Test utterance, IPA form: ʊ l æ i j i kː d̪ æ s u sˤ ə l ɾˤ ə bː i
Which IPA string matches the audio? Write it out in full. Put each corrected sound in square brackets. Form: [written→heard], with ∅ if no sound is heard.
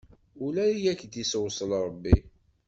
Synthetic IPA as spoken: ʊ l æ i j [i→æ] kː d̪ [æ→i] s [u→w] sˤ ə l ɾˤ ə bː i